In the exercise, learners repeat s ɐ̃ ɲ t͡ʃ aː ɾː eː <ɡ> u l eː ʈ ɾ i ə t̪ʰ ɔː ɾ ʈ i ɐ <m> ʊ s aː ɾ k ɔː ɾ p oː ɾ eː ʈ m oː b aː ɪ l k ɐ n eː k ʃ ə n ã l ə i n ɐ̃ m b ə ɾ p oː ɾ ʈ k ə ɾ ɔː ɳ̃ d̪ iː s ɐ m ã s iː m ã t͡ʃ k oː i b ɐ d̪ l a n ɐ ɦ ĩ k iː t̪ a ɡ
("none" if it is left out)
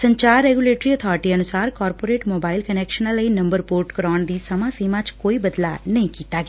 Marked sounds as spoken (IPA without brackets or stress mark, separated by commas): ɡ, n